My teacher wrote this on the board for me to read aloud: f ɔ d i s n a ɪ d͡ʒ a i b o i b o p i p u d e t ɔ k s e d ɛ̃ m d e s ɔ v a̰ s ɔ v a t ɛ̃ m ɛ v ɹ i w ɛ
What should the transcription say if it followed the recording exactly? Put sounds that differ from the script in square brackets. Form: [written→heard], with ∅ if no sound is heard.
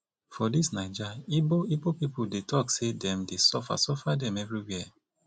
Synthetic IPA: f ɔ d i s n a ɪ d͡ʒ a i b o i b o p i p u d e t ɔ k s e d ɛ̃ m d e s ɔ [v→f] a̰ s ɔ [v→f] a [t→d] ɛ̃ m ɛ v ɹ i w ɛ